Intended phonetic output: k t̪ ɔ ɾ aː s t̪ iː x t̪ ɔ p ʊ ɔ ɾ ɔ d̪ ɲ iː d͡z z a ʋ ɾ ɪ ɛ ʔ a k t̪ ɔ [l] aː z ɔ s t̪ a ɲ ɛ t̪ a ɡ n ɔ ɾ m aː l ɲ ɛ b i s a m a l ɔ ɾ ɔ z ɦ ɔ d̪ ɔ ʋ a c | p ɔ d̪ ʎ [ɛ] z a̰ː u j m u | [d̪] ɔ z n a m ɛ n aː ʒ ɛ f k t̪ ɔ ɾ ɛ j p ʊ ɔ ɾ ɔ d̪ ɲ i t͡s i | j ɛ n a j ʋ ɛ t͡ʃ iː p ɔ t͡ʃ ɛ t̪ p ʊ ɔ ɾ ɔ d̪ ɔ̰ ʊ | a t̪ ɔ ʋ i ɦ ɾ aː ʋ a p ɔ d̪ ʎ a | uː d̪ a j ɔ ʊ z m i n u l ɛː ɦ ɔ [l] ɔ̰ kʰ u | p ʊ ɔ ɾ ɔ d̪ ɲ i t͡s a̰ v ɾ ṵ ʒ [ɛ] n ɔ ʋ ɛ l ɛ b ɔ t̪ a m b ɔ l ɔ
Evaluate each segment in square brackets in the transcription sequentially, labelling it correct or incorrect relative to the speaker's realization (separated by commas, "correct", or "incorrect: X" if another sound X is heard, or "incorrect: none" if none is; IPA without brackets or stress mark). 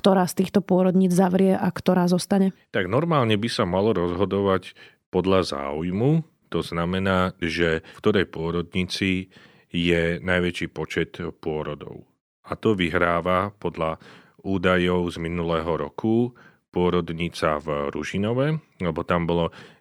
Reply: incorrect: ɾ, incorrect: a, incorrect: t̪, incorrect: ɾ, incorrect: i